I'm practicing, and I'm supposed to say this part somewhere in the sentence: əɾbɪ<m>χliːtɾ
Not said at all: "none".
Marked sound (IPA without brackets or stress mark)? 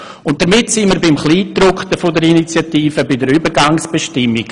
m